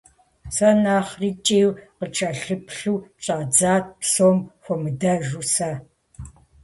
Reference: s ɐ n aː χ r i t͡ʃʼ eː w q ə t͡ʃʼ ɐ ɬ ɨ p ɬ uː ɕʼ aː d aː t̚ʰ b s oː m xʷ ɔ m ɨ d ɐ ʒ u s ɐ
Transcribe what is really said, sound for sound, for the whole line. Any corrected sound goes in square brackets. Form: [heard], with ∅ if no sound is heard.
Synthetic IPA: s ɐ n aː χ r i t͡ʃʼ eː w q ə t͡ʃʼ ɐ ɬ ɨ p ɬ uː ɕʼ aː [d͡z] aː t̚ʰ [p] s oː m xʷ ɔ m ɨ d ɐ ʒ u s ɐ